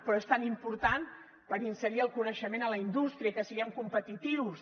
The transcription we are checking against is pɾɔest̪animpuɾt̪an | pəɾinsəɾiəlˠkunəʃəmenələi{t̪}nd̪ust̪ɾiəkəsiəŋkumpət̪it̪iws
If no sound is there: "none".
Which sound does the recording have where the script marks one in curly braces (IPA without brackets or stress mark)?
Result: none